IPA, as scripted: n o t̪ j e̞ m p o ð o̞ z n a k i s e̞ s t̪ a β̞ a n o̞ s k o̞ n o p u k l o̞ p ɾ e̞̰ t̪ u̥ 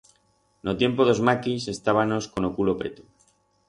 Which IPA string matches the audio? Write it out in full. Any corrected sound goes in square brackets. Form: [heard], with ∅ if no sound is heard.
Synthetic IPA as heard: n o t̪ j e̞ m p o ð o̞ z [m] a k i s e̞ s t̪ a β̞ a n o̞ s k o̞ n o [k] u [∅] l o̞ p ɾ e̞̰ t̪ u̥